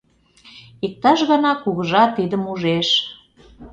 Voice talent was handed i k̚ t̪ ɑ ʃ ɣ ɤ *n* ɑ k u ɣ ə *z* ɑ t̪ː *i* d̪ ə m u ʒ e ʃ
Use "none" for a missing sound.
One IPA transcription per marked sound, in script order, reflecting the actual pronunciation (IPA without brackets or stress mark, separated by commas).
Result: n, ʒ, i